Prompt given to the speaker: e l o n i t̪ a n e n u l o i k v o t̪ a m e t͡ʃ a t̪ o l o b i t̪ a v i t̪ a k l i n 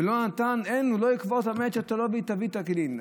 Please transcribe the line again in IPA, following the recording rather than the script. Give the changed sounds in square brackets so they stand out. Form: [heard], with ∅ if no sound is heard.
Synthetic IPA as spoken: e l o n [a] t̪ a n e n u l o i k v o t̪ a m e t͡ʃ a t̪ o l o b i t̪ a v i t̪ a k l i n

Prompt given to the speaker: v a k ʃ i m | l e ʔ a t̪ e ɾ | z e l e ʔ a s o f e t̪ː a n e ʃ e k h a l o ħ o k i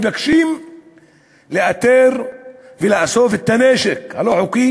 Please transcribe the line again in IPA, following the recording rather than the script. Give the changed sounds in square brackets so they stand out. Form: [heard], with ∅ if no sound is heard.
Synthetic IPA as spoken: v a k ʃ i m | l e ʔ a t̪ e ɾ | [v] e l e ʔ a s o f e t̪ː a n e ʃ e k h a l o ħ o k i

